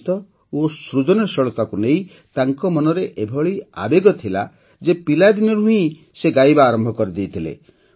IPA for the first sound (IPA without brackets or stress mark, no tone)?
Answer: t̪